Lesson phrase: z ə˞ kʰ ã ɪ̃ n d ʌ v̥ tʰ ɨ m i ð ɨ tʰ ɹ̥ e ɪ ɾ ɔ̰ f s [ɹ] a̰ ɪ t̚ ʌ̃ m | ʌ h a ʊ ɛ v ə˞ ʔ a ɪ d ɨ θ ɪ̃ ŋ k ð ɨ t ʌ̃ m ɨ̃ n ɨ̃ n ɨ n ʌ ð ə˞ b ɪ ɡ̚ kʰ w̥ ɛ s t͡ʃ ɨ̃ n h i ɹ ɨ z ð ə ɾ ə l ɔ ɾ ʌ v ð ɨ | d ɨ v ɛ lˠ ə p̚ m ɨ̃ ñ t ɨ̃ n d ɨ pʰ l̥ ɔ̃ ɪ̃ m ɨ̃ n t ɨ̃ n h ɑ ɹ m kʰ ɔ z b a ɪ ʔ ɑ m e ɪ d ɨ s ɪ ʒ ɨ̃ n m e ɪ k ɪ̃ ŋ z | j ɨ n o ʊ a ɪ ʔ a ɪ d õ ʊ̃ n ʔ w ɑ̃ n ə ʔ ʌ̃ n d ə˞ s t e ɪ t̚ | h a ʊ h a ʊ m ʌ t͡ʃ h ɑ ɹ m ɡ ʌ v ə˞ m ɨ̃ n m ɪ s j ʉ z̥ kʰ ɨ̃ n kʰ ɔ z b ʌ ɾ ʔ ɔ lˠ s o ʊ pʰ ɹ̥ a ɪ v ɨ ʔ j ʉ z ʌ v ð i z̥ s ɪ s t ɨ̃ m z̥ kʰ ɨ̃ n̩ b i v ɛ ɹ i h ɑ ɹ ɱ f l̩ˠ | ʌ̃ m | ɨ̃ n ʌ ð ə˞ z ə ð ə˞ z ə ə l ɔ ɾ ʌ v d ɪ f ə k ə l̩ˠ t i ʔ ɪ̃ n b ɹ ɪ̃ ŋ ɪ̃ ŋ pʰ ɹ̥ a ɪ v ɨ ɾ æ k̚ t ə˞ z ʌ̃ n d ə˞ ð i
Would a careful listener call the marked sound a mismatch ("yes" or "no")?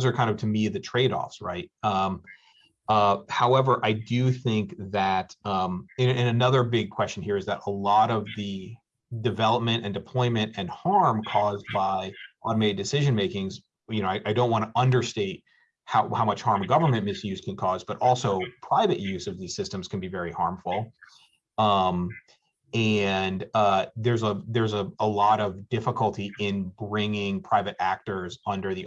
no